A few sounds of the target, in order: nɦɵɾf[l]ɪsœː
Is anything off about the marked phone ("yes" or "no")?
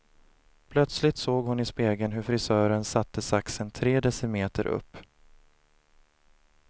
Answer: yes